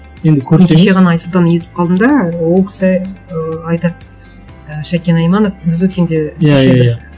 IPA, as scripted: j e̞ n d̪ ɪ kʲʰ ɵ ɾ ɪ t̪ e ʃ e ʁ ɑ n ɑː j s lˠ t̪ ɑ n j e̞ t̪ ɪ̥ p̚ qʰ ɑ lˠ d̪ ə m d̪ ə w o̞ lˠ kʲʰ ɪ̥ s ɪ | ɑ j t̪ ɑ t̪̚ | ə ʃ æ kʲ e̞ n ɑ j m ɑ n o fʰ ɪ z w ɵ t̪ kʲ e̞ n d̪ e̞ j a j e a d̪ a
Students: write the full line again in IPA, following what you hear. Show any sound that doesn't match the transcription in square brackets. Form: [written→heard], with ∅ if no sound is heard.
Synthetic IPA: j e̞ n d̪ ɪ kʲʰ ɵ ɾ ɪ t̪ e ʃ e ʁ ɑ n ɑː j s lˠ t̪ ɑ n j e̞ t̪ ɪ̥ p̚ qʰ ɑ lˠ d̪ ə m d̪ [ə→ɑ] w o̞ lˠ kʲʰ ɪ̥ s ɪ | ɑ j t̪ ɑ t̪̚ | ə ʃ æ kʲ e̞ n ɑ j m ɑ n o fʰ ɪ z w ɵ t̪ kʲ e̞ n d̪ e̞ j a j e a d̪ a

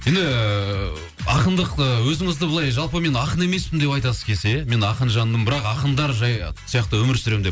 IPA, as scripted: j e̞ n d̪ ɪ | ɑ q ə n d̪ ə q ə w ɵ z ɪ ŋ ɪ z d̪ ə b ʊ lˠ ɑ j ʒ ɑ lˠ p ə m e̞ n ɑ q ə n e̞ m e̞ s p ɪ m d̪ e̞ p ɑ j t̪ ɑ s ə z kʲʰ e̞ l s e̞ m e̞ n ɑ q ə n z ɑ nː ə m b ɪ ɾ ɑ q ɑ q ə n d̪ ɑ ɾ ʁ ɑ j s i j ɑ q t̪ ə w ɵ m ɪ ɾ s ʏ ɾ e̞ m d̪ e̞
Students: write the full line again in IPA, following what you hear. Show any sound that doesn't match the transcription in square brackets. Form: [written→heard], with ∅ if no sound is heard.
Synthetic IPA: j e̞ n d̪ ɪ | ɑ q ə n d̪ ə q ə w ɵ z ɪ ŋ ɪ z d̪ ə b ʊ lˠ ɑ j ʒ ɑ lˠ p ə m e̞ n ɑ q ə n e̞ m e̞ s p ɪ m d̪ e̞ p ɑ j t̪ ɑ s ə z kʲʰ e̞ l s e̞ m e̞ n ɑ q ə n [z→ʒ] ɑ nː ə m b ɪ ɾ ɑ q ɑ q ə n d̪ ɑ ɾ [ʁ→ʒ] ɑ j s i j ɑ q t̪ ə w ɵ m ɪ ɾ s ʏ ɾ e̞ m d̪ e̞

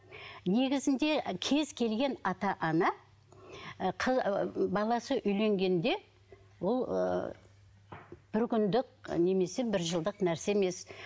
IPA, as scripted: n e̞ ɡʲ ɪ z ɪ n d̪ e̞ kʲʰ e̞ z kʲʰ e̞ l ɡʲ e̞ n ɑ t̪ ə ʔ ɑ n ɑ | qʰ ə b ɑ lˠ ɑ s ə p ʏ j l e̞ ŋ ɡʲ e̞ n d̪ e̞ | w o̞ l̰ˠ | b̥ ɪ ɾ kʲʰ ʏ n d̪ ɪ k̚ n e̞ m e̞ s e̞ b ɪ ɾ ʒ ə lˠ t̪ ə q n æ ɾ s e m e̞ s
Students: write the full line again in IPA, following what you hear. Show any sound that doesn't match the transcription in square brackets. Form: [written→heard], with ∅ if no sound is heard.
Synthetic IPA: n e̞ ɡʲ ɪ z ɪ n d̪ e̞ kʲʰ e̞ z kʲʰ e̞ l ɡʲ e̞ n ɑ t̪ [ə→ɑ] ʔ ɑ n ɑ | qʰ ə b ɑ lˠ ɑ s ə [p→ʔ] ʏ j l e̞ ŋ ɡʲ e̞ n d̪ e̞ | w o̞ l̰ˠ | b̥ ɪ ɾ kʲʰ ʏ n d̪ ɪ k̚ n e̞ m e̞ s e̞ b ɪ ɾ ʒ ə lˠ [t̪→d̪] ə q n æ ɾ s e m e̞ s

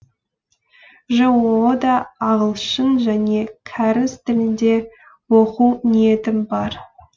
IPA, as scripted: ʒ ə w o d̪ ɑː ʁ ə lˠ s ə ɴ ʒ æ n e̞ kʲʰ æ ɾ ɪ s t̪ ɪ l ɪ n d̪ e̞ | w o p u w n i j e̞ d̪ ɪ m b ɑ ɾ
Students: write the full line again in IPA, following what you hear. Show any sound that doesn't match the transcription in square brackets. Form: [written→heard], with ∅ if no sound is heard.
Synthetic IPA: ʒ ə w o d̪ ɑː ʁ ə lˠ [s→ʃ] ə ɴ ʒ æ n e̞ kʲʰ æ ɾ ɪ s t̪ ɪ l ɪ n d̪ e̞ | w o [p→q] u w n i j e̞ [d̪→t̪] ɪ m b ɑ ɾ

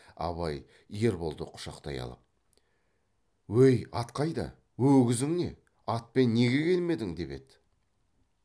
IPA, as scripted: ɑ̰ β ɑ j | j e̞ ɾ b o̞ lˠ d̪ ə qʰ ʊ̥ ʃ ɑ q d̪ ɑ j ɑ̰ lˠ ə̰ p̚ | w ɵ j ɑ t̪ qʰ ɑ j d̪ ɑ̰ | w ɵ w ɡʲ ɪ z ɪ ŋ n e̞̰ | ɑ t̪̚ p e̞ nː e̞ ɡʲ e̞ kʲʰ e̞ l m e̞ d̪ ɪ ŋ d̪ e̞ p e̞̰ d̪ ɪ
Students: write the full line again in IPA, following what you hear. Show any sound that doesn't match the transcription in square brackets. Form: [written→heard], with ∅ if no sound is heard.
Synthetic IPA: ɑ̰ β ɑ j | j e̞ ɾ b o̞ lˠ d̪ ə qʰ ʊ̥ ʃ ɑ q [d̪→t̪] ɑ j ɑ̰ lˠ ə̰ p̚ | w ɵ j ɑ t̪ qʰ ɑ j d̪ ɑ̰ | w ɵ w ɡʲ ɪ z ɪ ŋ n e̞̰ | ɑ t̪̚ p e̞ nː e̞ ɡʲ e̞ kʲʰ e̞ l m e̞ d̪ ɪ ŋ d̪ e̞ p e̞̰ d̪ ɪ

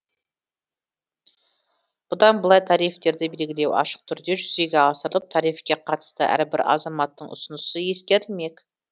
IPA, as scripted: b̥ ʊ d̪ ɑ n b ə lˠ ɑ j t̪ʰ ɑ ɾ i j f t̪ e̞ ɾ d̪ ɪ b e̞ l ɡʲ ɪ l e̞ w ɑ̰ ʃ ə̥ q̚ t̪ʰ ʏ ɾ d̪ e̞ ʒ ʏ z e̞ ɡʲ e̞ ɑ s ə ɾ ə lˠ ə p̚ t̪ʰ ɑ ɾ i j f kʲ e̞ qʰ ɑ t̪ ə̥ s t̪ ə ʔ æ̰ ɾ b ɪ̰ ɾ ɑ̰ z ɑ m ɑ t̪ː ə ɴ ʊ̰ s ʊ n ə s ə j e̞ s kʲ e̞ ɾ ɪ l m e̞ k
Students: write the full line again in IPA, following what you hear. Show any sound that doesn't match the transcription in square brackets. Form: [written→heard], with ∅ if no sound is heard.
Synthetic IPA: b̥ ʊ d̪ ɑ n b ə lˠ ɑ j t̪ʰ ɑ ɾ i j f t̪ e̞ ɾ d̪ ɪ b e̞ l ɡʲ ɪ l e̞ w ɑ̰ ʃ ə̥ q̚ t̪ʰ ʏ ɾ d̪ e̞ ʒ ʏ z e̞ ɡʲ e̞ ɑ s ə ɾ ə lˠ ə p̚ t̪ʰ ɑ ɾ i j f kʲ e̞ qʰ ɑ t̪ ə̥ s t̪ ə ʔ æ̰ ɾ b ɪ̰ ɾ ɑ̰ z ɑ m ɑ t̪ː ə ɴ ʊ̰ s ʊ n ə s ə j e̞ s kʲ e̞ ɾ ɪ l m e̞ k

